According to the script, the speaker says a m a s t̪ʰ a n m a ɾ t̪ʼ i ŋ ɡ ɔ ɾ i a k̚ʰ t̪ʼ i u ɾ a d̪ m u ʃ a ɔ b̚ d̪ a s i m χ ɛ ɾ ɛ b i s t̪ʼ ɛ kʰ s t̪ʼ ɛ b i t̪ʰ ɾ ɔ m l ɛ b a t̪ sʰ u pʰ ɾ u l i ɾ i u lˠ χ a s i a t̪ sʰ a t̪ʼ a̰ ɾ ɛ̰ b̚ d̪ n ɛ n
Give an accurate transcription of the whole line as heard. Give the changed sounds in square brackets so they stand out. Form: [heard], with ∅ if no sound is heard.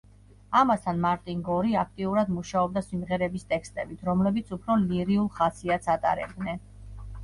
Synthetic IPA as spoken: a m a s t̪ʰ a n m a ɾ t̪ʼ i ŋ ɡ ɔ ɾ i a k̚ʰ t̪ʼ i u ɾ a d̪ m u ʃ a ɔ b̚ d̪ a s i m [ʁ] ɛ ɾ ɛ b i s t̪ʼ ɛ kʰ s t̪ʼ ɛ b i t̪ʰ ɾ ɔ m l ɛ b [i] t̪ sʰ u pʰ ɾ [ɔ] l i ɾ i u lˠ χ a s i a t̪ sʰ a t̪ʼ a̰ ɾ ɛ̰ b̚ d̪ n ɛ n